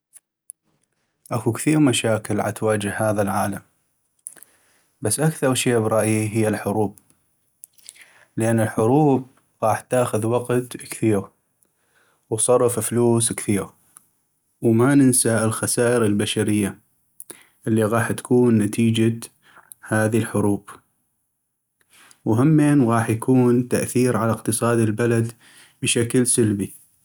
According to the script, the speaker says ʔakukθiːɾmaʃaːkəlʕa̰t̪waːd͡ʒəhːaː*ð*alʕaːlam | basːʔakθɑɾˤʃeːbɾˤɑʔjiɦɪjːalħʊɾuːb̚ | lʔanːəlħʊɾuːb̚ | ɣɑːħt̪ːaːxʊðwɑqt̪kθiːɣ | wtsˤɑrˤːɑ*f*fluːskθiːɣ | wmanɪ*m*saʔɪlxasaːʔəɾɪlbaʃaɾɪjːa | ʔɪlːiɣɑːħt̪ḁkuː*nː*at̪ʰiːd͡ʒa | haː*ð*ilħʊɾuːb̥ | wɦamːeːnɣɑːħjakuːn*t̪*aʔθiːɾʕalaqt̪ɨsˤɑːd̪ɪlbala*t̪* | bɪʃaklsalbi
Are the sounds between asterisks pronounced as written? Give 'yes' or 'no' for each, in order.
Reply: yes, yes, no, yes, yes, yes, no

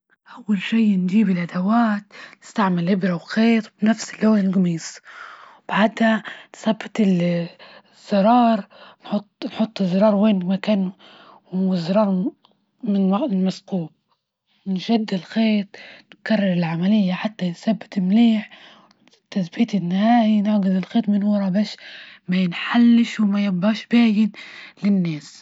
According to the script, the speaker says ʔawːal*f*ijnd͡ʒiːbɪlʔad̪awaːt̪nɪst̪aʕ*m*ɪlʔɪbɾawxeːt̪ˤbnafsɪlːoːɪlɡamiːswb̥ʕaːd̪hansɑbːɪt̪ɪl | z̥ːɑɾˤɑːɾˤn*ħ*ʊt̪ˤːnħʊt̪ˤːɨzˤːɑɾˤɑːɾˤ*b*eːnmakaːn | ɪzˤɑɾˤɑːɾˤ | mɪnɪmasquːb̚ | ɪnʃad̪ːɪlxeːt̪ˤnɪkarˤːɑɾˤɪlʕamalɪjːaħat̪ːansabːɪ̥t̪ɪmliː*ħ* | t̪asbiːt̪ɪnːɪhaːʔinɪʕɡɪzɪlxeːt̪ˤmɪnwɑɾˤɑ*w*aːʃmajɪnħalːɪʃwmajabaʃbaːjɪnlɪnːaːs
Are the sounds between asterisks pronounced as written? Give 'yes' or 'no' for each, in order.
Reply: no, yes, yes, no, yes, no

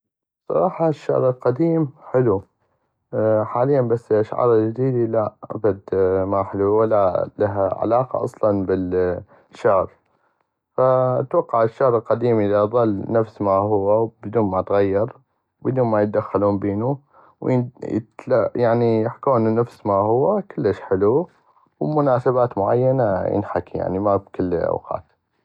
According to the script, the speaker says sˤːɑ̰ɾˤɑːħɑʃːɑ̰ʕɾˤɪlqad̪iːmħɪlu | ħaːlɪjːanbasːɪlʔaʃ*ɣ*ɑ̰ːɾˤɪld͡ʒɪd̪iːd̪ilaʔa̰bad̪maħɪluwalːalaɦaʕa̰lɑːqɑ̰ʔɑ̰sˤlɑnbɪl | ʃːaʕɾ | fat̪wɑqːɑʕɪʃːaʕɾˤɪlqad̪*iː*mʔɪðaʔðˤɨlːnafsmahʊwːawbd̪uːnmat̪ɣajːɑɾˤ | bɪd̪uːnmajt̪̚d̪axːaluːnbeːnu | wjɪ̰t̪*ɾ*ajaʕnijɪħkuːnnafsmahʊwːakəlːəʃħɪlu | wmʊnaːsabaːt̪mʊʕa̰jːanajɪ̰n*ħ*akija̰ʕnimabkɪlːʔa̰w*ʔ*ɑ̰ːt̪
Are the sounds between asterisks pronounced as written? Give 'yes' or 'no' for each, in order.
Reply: no, yes, no, yes, no

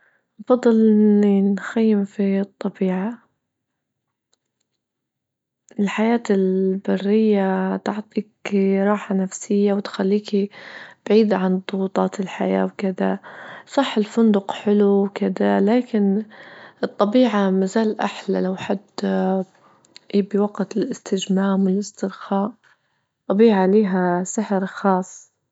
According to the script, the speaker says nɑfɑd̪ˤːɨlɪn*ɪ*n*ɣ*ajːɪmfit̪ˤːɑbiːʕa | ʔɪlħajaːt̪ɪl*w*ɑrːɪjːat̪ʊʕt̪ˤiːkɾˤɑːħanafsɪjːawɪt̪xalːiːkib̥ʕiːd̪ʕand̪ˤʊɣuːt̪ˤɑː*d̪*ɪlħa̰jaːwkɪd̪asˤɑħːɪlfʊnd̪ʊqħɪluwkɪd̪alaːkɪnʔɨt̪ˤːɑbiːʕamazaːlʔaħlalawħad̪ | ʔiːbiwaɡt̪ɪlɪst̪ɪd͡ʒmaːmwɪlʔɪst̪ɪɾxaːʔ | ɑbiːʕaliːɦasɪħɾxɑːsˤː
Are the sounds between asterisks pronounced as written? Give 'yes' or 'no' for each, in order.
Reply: no, no, no, no

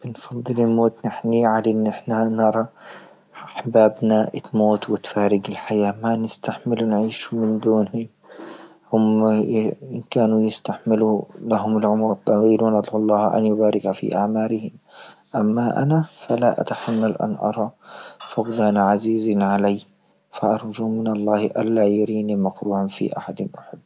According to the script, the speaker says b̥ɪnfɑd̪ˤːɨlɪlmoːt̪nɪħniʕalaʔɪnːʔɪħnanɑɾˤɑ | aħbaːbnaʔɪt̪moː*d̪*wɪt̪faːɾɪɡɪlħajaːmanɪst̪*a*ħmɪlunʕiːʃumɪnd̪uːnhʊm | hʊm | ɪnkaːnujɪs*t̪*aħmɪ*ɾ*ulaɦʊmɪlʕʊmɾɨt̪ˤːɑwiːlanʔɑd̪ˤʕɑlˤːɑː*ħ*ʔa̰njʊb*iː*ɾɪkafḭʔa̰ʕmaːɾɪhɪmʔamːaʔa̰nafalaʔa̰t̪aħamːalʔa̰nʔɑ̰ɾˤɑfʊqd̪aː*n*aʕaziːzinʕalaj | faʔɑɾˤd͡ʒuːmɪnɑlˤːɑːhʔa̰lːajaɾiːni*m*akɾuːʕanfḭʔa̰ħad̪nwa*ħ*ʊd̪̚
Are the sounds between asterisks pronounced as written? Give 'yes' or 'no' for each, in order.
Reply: no, yes, yes, no, no, no, yes, yes, yes

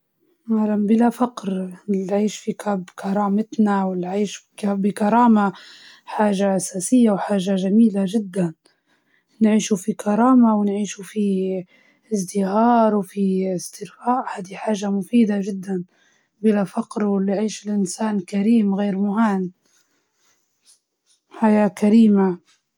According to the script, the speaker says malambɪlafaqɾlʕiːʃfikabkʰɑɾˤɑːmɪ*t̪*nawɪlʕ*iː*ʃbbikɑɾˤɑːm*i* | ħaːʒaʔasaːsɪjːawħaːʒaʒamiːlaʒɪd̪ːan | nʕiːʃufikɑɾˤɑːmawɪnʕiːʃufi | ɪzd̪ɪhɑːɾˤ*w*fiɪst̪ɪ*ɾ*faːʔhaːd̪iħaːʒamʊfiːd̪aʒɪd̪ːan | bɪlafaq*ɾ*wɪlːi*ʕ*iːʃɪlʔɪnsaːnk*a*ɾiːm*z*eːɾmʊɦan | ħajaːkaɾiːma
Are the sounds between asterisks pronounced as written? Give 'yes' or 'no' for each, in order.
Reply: yes, yes, no, yes, yes, yes, yes, yes, no

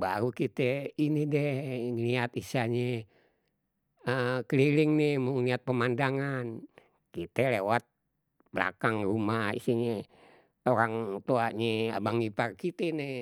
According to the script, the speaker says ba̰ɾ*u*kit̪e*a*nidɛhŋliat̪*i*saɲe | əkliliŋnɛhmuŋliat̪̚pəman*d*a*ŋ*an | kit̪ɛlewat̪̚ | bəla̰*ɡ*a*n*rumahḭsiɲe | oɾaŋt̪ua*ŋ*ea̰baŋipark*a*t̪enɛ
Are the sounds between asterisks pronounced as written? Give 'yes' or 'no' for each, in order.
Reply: yes, no, yes, yes, yes, no, no, no, no

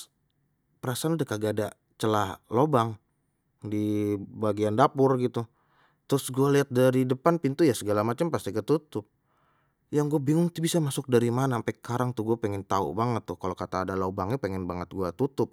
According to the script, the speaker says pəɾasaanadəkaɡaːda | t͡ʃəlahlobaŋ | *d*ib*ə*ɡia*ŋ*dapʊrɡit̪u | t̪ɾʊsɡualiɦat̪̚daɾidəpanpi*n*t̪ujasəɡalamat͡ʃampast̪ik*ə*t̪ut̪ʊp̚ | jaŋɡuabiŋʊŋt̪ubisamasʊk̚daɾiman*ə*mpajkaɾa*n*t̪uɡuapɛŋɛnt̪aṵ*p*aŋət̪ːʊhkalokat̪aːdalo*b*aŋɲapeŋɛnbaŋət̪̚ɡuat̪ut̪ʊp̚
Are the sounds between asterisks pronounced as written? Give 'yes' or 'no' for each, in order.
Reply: yes, no, no, yes, yes, no, no, no, yes

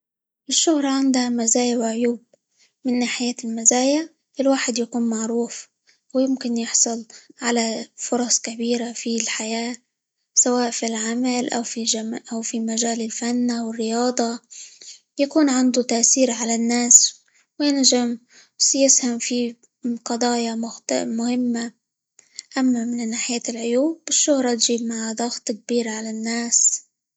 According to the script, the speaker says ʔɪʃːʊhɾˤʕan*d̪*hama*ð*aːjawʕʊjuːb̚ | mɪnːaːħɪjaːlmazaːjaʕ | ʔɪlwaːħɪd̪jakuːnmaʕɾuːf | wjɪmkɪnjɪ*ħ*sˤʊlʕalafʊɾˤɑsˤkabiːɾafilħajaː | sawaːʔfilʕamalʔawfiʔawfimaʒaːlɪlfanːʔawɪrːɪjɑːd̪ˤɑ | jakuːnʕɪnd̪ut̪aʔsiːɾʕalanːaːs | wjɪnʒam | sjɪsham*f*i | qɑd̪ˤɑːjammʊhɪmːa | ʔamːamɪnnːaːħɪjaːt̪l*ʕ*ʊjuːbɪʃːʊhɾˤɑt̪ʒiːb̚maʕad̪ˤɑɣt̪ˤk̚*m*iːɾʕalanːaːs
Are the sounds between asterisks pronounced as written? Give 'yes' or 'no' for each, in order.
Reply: yes, no, yes, yes, yes, no

